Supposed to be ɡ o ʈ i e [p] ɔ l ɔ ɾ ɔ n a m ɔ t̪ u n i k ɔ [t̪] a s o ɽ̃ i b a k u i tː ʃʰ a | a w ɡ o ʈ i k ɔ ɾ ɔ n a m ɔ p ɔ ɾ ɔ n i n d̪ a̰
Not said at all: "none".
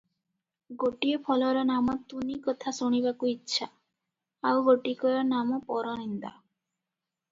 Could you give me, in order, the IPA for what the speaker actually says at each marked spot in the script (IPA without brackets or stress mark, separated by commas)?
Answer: pʰ, t̪ʰ